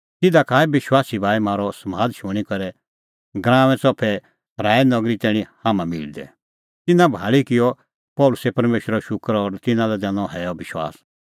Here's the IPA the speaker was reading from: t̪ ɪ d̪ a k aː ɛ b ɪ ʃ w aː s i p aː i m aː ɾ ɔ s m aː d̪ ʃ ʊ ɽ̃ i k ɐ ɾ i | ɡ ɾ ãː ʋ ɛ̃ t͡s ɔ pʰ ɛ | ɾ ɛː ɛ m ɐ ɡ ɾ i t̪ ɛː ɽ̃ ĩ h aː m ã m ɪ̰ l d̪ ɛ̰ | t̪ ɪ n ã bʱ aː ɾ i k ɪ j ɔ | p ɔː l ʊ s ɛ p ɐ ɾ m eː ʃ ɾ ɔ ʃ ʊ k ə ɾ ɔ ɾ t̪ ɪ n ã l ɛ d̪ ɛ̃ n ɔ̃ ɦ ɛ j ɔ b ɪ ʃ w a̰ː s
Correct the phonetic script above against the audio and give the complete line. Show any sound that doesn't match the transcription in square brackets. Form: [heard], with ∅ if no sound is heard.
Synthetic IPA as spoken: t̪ ɪ d̪ a k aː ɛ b ɪ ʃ w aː s i [b] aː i m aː ɾ ɔ s m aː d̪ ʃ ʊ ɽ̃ i k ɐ ɾ [ɛ] | ɡ ɾ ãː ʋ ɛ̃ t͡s ɔ pʰ ɛ | ɾ [aː] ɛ [n] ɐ ɡ ɾ i t̪ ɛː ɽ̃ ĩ h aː m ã m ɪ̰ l d̪ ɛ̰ | t̪ ɪ n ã bʱ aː [ɭ] i k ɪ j ɔ | p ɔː l ʊ s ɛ p ɐ ɾ m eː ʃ ɾ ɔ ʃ ʊ k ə ɾ ɔ ɾ t̪ ɪ n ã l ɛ d̪ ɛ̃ n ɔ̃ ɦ ɛ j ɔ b ɪ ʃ w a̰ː s